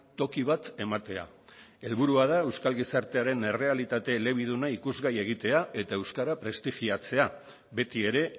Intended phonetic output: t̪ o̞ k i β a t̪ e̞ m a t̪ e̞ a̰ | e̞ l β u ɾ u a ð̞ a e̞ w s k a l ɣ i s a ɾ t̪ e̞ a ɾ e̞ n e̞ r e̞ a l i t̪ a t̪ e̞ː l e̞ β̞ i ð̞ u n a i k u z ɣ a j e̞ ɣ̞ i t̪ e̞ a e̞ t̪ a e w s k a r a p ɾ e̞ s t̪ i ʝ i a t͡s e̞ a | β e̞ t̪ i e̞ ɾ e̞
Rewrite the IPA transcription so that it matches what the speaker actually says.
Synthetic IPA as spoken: t̪ o̞ k i β a t̪ e̞ m a t̪ e̞ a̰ | e̞ l β u ɾ u a ð̞ a e̞ w s k a l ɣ i s a ɾ t̪ e̞ a ɾ e̞ n e̞ r e̞ a l i t̪ a t̪ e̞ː l e̞ β̞ i ð̞ u n a i k u z ɣ a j e̞ ɣ̞ i t̪ e̞ a e̞ t̪ a e w s k a ɾ a p ɾ e̞ s t̪ i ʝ i a t͡s e̞ a | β e̞ t̪ i e̞ ɾ e̞